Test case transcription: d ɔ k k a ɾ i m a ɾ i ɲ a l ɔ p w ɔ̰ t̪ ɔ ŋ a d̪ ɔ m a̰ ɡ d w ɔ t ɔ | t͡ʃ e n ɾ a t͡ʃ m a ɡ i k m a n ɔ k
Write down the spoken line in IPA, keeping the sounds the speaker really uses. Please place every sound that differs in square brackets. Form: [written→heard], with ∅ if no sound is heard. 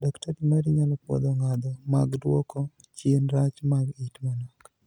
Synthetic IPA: d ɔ k [k→t] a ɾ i m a ɾ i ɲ a l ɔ p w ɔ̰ [t̪→d̪] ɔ ŋ a d̪ ɔ m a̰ ɡ d w ɔ [t→k] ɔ | t͡ʃ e n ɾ a t͡ʃ m a ɡ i [k→t] m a n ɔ k